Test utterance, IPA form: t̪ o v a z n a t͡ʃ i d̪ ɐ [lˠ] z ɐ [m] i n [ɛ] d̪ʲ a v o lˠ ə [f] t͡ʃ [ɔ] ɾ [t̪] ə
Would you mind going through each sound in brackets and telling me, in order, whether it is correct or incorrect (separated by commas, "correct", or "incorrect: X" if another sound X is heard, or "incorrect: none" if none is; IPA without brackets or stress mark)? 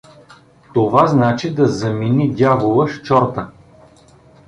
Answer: incorrect: none, correct, incorrect: i, incorrect: ʃ, correct, correct